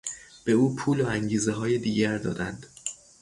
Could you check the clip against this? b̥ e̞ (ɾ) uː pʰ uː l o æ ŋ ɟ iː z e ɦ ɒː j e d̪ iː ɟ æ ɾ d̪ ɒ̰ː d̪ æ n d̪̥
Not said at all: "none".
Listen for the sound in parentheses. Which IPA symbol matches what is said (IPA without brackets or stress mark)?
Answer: none